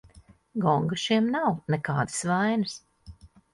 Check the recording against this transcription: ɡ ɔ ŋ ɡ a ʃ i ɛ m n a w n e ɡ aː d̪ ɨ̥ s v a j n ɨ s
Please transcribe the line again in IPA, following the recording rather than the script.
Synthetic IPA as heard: ɡ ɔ ŋ ɡ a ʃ i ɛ m n a w n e k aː d̪ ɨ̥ s v a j n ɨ s

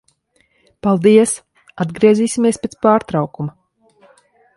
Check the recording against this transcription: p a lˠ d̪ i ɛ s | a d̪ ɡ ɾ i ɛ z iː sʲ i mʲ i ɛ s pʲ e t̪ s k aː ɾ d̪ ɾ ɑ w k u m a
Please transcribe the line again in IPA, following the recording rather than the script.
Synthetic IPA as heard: p a lˠ d̪ i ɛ s | a d̪ ɡ ɾ i ɛ z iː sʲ i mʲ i ɛ s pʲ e t̪ s p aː ɾ t̪ ɾ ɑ w k u m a

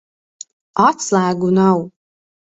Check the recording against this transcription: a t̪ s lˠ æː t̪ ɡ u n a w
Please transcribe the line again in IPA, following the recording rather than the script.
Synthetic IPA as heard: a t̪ s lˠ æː ɡ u n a w

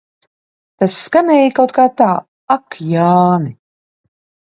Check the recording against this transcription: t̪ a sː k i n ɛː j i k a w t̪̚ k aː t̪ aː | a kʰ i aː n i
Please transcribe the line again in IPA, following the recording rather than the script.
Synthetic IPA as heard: t̪ a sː k a n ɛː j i k a w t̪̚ k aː t̪ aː | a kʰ j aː n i

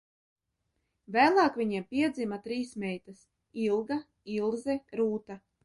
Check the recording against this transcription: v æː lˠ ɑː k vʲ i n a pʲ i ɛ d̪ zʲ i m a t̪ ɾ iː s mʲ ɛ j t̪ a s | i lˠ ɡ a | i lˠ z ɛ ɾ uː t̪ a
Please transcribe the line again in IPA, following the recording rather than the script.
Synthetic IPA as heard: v æː lˠ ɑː k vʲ i ɲ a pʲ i ɛ d̪ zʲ i m a t̪ ɾ iː s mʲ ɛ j t̪ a s | i lˠ ɡ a | i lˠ z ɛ ɾ uː t̪ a

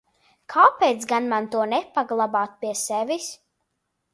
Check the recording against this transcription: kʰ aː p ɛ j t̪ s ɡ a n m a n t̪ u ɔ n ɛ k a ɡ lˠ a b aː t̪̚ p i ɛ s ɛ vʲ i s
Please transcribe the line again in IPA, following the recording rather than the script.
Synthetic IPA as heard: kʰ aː p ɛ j t̪ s ɡ a n m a n t̪ u ɔ n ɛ p a ɡ lˠ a b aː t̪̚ p i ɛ s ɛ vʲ i s

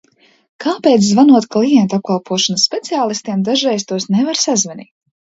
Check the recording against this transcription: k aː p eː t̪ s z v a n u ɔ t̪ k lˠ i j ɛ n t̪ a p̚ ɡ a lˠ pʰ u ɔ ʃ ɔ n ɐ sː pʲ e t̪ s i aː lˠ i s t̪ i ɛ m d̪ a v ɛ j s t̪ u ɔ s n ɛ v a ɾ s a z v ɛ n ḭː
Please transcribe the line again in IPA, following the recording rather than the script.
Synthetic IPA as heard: k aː p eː t̪ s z v a n u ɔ t̪ k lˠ i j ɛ n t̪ a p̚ k a lˠ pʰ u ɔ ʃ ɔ n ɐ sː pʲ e t̪ s i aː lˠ i s t̪ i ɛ m d̪ a ʒ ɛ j s t̪ u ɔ s n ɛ v a ɾ s a z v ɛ n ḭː

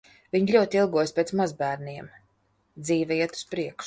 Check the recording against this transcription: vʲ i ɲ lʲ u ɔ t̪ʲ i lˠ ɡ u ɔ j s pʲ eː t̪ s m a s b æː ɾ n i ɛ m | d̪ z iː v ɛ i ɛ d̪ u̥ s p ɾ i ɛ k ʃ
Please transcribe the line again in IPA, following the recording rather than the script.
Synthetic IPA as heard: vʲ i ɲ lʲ u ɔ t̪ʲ i lˠ ɡ u ɔ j s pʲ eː t̪ s m a z b æː ɾ n i ɛ m | d̪ z iː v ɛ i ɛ t̪ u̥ s p ɾ i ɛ k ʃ

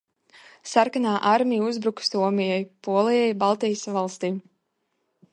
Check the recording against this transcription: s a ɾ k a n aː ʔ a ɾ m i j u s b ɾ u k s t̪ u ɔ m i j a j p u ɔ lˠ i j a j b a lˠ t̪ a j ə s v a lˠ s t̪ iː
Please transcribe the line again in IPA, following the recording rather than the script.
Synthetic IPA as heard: s a ɾ k a n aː ʔ a ɾ m i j u z b ɾ u k s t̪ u ɔ m i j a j p u ɔ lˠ i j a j b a lˠ t̪ i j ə s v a lˠ s t̪ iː

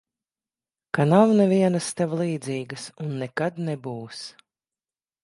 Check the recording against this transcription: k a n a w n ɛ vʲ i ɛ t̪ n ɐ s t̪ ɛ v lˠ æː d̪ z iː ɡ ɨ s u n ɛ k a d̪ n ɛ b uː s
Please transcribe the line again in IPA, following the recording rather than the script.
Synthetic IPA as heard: k a n a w n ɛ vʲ i ɛ n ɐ s t̪ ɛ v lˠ iː d̪ z iː ɡ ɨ s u nː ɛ k a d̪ n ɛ b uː s

